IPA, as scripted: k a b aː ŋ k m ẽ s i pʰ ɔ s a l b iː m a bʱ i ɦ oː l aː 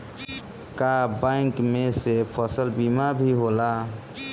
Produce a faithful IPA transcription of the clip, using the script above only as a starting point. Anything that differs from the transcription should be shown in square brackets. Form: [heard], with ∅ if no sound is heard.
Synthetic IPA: k a b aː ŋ k m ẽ s [e] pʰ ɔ s [ə] l b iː m a bʱ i ɦ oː l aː